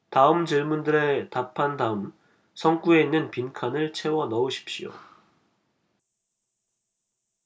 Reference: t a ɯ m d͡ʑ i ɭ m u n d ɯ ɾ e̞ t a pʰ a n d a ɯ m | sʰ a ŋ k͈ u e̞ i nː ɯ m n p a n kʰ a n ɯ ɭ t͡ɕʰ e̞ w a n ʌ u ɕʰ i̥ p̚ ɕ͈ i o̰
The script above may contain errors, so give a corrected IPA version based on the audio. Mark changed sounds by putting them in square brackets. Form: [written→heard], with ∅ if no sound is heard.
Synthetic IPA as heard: t a ɯ m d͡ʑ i ɭ m u n d ɯ ɾ e̞ t a pʰ a n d a ɯ m | sʰ [a→ʌ] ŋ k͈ u e̞ i nː ɯ [m→∅] n p [a→i] n kʰ a n ɯ ɭ t͡ɕʰ e̞ w [a→ʌ] n ʌ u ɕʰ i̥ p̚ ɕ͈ i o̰